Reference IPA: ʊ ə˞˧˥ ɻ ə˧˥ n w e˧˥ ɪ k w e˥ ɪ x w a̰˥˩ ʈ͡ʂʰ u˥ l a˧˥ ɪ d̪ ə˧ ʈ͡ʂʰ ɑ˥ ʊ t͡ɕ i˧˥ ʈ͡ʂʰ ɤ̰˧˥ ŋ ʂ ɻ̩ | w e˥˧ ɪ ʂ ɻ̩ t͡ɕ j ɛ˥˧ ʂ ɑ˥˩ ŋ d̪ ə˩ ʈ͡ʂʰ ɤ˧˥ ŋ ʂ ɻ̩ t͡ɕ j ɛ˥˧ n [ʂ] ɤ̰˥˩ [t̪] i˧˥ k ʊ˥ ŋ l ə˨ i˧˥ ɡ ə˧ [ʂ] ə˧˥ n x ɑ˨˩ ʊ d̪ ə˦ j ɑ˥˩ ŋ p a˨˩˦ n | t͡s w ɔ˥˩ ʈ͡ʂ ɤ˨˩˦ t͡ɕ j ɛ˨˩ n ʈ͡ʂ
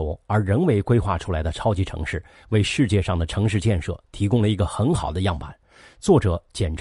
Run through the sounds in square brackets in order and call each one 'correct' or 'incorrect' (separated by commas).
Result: correct, incorrect, incorrect